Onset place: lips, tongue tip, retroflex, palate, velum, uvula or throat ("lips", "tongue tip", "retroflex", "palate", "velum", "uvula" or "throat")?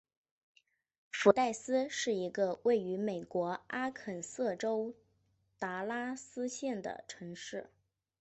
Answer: lips